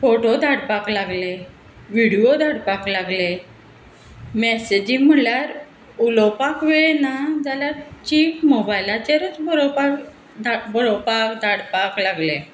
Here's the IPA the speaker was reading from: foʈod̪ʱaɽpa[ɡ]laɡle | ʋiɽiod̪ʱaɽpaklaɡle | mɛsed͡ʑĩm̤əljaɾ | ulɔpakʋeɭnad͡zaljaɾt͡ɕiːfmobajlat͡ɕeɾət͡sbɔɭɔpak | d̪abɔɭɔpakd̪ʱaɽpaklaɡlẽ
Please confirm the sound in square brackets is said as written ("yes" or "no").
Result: no